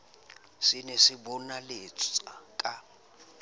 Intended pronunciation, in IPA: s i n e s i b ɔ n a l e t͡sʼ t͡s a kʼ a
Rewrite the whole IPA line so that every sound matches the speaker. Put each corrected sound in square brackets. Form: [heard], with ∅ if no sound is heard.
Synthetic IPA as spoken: s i n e s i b ɔ n a l e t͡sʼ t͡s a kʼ a